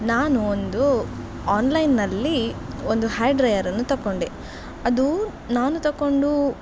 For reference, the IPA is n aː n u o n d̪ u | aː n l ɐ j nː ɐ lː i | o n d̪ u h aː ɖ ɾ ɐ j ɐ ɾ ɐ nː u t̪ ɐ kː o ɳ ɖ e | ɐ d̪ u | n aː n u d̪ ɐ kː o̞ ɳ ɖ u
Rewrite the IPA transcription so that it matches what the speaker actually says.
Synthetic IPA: n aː n u o n d̪ u | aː n l ɐ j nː ɐ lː i | o n d̪ u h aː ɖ ɾ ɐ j ɐ ɾ ɐ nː u t̪ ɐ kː o ɳ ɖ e | ɐ d̪ u | n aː n u t̪ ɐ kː o̞ ɳ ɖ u